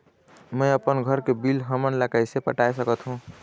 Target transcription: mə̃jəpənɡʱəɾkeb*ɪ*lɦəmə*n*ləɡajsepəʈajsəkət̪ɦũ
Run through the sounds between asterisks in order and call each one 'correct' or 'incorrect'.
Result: incorrect: i, correct

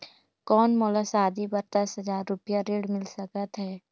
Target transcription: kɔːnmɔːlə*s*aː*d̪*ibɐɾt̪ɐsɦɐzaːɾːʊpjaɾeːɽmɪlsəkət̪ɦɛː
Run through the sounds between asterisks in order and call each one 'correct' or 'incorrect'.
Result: correct, correct

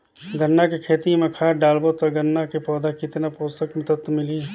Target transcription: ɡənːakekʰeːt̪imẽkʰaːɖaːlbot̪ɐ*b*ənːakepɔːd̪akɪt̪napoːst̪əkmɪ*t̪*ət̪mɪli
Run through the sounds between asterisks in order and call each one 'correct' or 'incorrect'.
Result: incorrect: ɡ, correct

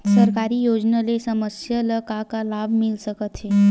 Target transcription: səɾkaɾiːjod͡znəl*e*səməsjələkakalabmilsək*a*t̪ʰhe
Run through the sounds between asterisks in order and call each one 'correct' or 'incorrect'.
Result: correct, incorrect: ə

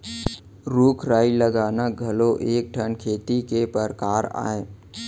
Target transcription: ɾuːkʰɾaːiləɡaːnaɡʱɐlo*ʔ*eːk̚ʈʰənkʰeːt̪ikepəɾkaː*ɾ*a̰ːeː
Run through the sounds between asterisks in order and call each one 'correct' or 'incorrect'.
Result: correct, correct

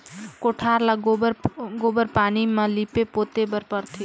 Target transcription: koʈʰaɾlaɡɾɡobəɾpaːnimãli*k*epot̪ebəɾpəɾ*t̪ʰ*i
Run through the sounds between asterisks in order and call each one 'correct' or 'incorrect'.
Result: incorrect: p, correct

